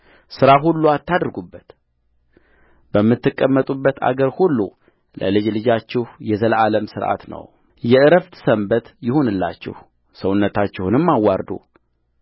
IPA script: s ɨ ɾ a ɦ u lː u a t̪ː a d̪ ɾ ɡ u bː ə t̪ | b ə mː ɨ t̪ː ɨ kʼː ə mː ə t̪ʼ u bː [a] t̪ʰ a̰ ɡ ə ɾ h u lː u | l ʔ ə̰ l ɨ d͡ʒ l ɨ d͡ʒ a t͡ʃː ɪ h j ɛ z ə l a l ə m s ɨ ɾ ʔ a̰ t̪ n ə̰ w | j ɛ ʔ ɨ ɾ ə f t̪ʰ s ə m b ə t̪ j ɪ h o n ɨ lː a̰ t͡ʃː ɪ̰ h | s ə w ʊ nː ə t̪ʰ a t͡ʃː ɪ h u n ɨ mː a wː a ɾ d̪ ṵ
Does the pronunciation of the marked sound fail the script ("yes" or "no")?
yes